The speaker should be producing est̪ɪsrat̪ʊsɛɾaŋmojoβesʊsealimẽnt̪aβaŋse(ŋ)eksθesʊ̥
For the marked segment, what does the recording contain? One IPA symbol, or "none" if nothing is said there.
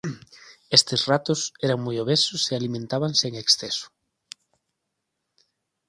ŋ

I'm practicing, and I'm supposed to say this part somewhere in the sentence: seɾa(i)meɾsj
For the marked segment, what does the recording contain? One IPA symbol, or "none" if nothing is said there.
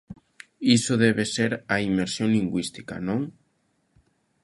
i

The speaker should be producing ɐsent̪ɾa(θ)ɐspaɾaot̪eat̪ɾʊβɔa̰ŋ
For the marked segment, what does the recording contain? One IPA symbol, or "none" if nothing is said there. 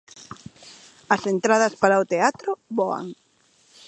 ð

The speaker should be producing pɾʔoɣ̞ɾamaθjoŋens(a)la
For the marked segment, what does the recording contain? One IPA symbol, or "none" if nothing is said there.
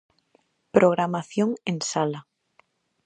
a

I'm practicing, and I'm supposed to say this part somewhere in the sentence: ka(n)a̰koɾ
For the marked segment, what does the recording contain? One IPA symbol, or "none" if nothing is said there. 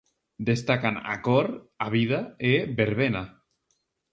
n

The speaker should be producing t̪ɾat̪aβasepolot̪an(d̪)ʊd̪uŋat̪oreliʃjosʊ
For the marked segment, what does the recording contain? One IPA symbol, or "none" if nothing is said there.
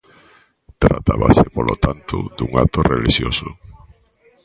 t̪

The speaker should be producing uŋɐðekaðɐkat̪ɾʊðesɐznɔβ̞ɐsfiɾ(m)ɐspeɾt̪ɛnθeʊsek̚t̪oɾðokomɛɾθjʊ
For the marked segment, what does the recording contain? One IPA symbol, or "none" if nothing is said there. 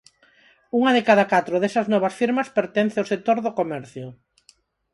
m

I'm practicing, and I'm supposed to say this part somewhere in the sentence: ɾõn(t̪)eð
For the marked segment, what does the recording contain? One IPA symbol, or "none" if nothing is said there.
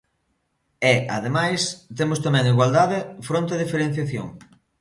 t̪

